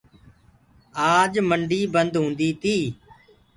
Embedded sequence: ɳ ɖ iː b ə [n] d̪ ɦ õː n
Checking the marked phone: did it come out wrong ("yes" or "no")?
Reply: no